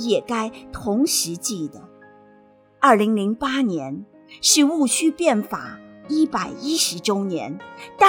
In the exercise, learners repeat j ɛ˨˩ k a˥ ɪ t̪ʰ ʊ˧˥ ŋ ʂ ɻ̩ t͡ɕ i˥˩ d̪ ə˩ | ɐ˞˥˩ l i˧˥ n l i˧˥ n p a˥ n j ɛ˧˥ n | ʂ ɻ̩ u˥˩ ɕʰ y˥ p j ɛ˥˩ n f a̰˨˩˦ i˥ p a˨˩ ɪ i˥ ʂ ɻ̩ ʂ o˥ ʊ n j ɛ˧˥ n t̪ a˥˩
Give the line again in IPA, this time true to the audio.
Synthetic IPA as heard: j ɛ˨˩ k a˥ ɪ t̪ʰ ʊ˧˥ ŋ ʂ ɻ̩ t͡ɕ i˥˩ d̪ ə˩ | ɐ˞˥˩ l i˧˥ ŋ l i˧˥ ŋ p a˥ n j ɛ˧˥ n | ʂ ɻ̩ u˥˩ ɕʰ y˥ p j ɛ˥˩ n f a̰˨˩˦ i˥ p a˨˩ ɪ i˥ ʂ ɻ̩ ʈ͡ʂ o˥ ʊ n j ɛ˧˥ n t̪ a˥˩